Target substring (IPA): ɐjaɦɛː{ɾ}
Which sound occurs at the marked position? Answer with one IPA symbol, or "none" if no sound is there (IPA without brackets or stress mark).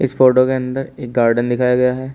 none